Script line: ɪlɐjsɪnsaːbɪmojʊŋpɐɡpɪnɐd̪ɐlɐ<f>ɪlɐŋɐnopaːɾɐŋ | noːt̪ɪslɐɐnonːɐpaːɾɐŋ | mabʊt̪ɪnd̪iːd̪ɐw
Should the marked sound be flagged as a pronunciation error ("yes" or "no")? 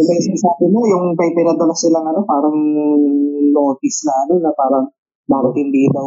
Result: yes